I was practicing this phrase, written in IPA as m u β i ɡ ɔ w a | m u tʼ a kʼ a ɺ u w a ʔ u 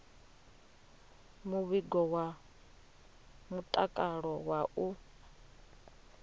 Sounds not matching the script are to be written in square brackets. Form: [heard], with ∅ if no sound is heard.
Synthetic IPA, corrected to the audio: m u β i ɡ ɔ w a | m u tʼ a kʼ a ɺ [ɔ] w a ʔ u